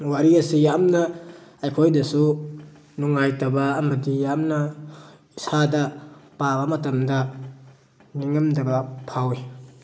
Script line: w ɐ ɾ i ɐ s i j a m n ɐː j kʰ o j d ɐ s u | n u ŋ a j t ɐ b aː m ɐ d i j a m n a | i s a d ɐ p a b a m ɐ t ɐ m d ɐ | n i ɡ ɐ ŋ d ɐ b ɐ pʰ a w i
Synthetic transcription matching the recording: w a ɾ i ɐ s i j a m n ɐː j kʰ o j d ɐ s u | n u ŋ a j t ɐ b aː m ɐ d i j a m n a | i s a d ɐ p a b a m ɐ t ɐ m d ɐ | n i ŋ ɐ m d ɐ b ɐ pʰ a w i